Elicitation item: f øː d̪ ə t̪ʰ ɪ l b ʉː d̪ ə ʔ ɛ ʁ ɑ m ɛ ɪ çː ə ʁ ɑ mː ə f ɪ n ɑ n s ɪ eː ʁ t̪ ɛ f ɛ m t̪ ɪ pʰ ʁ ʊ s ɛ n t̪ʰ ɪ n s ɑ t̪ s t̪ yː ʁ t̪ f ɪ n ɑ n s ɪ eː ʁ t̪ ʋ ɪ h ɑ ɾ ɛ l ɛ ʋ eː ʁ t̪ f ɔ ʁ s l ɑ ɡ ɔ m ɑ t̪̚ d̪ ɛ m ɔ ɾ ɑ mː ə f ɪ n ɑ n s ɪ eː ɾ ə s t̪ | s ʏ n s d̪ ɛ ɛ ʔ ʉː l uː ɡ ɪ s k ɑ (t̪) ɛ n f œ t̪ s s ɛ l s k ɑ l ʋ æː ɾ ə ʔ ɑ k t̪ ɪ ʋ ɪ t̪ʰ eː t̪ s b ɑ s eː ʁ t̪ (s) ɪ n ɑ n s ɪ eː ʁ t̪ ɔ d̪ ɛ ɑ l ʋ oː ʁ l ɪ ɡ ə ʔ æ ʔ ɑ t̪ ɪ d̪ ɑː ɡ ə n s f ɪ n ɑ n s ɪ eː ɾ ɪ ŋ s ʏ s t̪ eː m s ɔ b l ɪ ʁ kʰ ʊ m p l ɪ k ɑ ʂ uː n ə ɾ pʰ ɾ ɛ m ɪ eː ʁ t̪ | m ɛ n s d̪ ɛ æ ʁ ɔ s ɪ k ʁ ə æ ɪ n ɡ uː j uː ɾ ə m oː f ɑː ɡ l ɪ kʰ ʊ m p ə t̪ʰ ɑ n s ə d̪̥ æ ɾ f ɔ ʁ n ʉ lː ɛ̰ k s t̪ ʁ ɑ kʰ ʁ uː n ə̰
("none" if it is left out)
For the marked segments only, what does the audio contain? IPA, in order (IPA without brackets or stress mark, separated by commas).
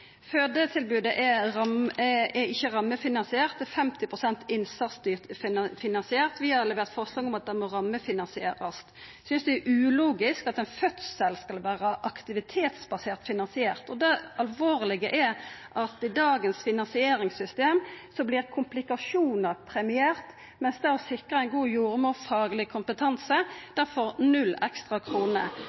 t̪, f